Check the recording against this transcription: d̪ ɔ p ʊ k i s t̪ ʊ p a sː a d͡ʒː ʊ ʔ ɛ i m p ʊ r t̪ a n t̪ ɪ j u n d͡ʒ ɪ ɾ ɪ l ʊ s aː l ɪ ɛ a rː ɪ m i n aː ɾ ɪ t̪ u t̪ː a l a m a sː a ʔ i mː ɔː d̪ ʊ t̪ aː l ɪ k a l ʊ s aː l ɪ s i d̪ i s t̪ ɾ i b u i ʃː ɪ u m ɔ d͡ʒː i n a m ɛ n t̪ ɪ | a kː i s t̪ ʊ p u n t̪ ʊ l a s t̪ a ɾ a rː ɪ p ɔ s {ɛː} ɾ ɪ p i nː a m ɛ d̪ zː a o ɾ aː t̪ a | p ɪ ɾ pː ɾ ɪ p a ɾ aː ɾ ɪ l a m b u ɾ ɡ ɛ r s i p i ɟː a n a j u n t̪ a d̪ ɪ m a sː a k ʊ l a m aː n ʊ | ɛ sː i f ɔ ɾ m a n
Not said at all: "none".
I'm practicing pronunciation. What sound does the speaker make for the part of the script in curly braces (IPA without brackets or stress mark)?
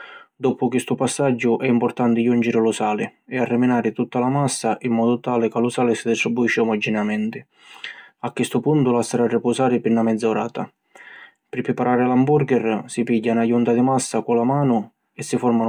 aː